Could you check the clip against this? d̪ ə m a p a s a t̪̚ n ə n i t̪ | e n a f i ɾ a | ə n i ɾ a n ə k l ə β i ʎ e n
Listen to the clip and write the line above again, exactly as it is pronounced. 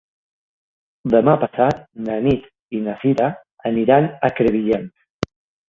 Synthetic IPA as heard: d̪ ə m a p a s a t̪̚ n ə n i t̪ | i n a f i ɾ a | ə n i ɾ a n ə k ɾ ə β i ʎ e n